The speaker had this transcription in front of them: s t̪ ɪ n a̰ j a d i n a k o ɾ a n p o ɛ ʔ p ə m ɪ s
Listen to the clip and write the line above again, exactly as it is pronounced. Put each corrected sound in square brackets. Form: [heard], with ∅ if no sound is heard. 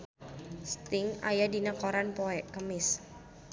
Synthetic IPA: s t̪ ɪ [ŋ] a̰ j a d i n a k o ɾ a n p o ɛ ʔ [k] ə m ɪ s

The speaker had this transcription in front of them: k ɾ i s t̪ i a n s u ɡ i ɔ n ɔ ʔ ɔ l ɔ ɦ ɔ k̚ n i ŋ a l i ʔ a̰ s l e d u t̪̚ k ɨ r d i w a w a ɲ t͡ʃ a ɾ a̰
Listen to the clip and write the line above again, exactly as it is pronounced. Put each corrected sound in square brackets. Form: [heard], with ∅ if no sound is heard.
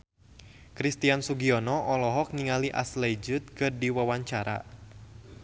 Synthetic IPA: k ɾ i s t̪ i a n s u ɡ i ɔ n ɔ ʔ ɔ l ɔ ɦ ɔ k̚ n i ŋ a l i ʔ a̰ s l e [d͡ʒ] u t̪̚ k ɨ r d i w a w a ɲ t͡ʃ a ɾ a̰

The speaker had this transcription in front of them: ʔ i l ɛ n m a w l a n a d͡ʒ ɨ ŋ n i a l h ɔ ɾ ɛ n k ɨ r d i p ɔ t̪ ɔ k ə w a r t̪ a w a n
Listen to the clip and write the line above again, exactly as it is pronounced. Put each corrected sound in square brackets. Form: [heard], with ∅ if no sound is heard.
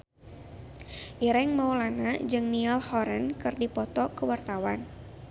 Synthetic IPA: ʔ i [ɾ] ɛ [ŋ] m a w l a n a d͡ʒ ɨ ŋ n i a l h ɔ ɾ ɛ n k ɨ r d i p ɔ t̪ ɔ k ə w a r t̪ a w a n

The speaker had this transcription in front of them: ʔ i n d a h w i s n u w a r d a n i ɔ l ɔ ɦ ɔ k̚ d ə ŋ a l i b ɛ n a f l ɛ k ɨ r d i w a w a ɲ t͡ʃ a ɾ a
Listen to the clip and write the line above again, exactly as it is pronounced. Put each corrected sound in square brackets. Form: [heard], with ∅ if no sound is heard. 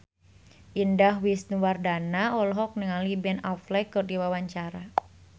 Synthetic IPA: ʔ i n d a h w i s n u w a r d a n [a] ɔ l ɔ ɦ ɔ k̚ [n] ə ŋ a l i b ɛ n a f l ɛ k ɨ r d i w a w a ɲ t͡ʃ a ɾ a

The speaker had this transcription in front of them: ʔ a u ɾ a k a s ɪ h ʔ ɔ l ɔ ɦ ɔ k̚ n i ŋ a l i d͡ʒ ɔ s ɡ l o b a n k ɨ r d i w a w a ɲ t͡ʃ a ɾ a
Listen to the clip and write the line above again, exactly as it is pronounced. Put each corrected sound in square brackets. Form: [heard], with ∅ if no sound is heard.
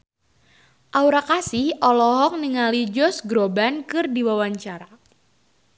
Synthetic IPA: ʔ a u ɾ a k a s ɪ h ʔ ɔ l ɔ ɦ ɔ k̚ n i ŋ a l i d͡ʒ ɔ s ɡ [ɾ] o b a n k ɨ r d i w a w a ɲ t͡ʃ a ɾ a

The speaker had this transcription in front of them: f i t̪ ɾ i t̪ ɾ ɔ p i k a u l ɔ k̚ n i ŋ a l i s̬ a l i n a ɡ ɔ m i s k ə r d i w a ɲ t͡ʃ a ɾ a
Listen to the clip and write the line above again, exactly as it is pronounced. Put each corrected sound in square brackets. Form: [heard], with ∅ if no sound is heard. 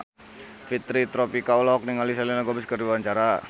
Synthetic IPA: f i t̪ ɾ i t̪ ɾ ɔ p i k a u l ɔ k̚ n i ŋ a l i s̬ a l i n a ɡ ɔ [b] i s k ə r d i w a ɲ t͡ʃ a ɾ a

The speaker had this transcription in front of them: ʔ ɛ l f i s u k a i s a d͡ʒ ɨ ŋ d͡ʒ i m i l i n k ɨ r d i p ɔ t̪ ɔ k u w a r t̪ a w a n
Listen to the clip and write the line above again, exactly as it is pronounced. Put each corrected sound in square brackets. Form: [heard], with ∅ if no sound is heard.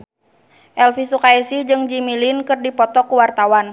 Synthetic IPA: ʔ ɛ l f i s u k a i s [i] d͡ʒ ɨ ŋ d͡ʒ i m i l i n k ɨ r d i p ɔ t̪ ɔ k u w a r t̪ a w a n

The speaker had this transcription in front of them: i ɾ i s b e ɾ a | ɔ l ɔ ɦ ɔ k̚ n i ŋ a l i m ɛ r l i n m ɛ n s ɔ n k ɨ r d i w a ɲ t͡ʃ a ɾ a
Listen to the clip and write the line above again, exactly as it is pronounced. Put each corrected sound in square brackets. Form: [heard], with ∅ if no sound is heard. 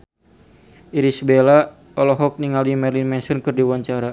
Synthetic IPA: i ɾ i s b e [l] a | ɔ l ɔ ɦ ɔ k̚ n i ŋ a l i m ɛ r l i n m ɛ n s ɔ n k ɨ r d i w a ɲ t͡ʃ a ɾ a

